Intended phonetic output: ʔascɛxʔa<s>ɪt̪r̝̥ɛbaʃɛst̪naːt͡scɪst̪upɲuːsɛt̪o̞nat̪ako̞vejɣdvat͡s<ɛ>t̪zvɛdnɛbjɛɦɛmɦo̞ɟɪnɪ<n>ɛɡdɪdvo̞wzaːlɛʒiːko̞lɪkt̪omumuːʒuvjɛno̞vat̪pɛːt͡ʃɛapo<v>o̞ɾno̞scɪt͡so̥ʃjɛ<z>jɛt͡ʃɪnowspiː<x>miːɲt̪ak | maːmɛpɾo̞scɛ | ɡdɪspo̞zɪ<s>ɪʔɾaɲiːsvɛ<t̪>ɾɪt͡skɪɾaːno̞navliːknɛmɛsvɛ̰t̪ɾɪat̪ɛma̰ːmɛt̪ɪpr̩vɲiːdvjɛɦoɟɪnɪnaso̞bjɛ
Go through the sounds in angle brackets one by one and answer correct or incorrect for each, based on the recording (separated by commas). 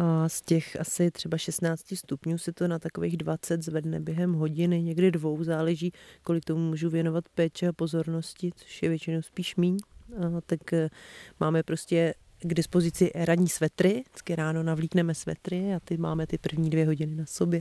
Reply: correct, correct, incorrect, incorrect, incorrect, incorrect, incorrect, correct